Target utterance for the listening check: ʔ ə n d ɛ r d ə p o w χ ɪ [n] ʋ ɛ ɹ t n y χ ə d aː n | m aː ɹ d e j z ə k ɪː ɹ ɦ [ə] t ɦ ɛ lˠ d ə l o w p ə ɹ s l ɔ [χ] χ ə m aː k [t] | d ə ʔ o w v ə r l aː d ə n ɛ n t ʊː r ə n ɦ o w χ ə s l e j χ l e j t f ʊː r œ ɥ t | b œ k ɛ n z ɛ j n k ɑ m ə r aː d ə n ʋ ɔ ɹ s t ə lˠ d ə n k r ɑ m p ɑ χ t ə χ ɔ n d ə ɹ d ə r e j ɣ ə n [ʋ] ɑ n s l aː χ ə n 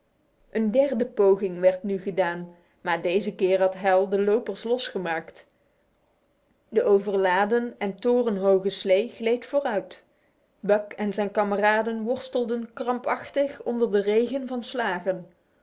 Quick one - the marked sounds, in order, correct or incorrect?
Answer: incorrect: ŋ, incorrect: ɑ, incorrect: s, correct, incorrect: v

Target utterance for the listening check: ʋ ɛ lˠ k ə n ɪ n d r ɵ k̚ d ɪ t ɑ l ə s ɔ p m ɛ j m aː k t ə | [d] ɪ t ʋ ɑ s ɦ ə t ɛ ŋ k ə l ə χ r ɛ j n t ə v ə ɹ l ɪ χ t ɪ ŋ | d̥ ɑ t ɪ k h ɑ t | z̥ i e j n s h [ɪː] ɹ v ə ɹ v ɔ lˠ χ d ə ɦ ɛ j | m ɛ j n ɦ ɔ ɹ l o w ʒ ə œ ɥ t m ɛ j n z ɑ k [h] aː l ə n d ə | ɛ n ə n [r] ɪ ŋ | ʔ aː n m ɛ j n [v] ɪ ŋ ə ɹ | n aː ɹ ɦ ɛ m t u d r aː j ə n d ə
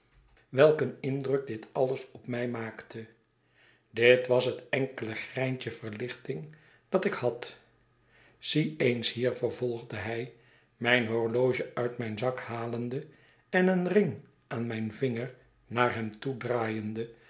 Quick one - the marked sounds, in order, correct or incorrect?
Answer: correct, incorrect: iː, correct, correct, correct

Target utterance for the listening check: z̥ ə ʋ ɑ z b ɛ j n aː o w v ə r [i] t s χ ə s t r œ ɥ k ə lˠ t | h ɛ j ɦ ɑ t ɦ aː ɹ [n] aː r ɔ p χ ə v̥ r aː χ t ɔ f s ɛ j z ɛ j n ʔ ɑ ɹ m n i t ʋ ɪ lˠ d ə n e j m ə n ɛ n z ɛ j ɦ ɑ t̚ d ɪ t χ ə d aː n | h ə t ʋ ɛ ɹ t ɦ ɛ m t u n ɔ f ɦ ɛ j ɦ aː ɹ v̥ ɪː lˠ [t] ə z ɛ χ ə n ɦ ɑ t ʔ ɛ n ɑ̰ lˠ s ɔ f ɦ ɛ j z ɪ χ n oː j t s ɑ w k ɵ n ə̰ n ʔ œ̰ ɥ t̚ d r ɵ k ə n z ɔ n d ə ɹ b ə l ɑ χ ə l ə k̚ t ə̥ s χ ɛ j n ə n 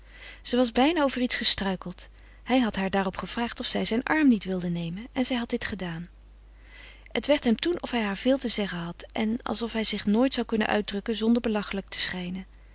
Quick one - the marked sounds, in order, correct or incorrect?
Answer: correct, incorrect: d, correct

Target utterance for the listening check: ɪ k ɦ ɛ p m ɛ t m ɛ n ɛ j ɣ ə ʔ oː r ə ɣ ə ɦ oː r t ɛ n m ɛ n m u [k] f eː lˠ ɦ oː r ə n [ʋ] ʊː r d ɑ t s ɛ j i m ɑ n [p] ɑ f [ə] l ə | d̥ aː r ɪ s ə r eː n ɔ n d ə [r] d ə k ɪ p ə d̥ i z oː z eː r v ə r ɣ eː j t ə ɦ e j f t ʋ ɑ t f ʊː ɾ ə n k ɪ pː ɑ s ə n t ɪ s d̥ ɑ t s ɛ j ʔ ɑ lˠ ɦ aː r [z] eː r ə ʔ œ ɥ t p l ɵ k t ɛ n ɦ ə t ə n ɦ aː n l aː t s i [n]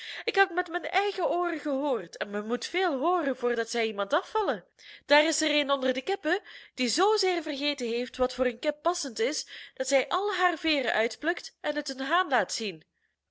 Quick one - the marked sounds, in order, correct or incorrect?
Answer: incorrect: t, incorrect: v, incorrect: t, incorrect: ɑ, correct, incorrect: v, correct

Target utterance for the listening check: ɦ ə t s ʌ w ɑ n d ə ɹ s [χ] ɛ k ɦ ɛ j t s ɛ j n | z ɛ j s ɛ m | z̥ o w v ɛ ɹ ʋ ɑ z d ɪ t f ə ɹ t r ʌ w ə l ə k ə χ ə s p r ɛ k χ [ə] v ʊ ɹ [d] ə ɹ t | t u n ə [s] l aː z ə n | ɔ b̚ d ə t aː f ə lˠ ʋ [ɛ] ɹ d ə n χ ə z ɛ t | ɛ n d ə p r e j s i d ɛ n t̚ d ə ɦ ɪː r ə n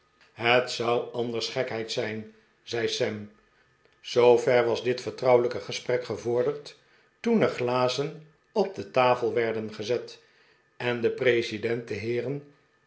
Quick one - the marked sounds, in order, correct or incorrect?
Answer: correct, correct, correct, incorrect: χ, correct

